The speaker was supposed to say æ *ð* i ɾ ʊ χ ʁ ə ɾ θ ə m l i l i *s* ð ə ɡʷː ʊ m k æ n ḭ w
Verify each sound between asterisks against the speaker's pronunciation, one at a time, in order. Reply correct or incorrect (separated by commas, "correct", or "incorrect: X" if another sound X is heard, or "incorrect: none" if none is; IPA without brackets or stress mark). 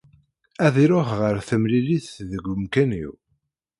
correct, incorrect: θ